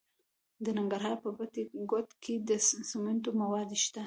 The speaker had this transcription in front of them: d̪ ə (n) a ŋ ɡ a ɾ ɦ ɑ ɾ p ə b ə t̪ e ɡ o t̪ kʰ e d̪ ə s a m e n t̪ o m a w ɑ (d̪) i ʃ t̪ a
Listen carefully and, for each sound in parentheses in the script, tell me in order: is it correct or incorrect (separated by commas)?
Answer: correct, correct